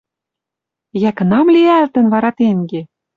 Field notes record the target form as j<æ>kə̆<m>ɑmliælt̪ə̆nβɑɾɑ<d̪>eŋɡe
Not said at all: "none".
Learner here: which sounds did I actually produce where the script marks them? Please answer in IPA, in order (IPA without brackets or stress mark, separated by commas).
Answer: æ, n, t̪